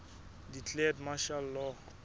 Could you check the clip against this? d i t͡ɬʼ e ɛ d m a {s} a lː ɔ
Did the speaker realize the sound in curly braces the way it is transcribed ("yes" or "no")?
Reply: no